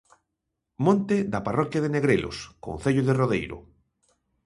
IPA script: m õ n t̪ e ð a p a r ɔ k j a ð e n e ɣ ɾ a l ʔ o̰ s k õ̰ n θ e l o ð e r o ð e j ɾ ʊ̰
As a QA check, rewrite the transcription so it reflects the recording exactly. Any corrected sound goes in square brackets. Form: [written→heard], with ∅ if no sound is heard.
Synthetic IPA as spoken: m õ n t̪ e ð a p a r ɔ k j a ð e n e ɣ ɾ [a→e] l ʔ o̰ s k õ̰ n θ e [l→ʎ] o ð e r o ð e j ɾ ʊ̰